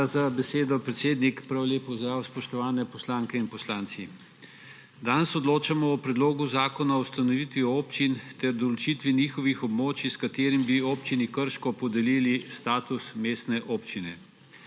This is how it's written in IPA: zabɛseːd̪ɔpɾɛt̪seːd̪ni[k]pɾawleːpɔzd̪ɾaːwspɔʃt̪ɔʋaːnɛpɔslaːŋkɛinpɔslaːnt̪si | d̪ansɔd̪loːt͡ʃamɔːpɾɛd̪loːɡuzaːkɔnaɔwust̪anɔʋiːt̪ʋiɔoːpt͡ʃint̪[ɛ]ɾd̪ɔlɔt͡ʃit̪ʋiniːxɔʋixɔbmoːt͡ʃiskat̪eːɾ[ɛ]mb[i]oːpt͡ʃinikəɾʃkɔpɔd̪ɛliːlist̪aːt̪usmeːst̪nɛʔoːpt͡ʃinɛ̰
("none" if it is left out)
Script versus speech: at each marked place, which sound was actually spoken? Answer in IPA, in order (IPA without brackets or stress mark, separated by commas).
k, ɛ, i, i